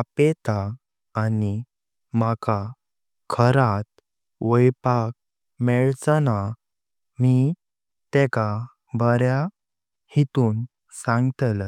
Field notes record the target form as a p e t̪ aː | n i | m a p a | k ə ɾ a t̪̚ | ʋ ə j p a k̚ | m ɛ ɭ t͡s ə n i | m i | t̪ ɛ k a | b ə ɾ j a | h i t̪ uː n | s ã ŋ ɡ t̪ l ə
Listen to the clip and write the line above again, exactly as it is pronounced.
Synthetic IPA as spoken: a p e t̪ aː | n i | m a k a | kʰ ə ɾ a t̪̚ | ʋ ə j p a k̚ | m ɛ ɭ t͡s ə n a | m i | t̪ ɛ k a | b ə ɾ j a | h i t̪ uː n | s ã ŋ ɡ t̪ l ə